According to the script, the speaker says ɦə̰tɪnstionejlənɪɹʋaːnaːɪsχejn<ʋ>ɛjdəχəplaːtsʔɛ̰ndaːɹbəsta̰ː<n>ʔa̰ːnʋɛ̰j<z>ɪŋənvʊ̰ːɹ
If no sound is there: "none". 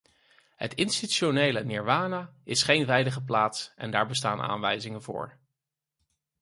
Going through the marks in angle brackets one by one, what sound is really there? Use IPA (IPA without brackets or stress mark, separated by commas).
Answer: ʋ, n, z